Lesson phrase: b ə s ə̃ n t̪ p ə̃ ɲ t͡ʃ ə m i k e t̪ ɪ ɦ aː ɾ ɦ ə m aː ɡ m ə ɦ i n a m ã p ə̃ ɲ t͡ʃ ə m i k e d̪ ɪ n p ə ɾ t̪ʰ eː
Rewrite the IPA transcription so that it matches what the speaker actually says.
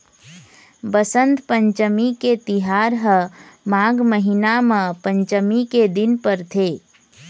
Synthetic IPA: b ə s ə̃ n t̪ p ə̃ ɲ t͡ʃ ə m i k e t̪ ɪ ɦ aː ɾ ɦ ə m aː ɡ m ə ɦ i n a m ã p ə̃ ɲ t͡ʃ ə m i k e d̪ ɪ n p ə ɾ t̪ʰ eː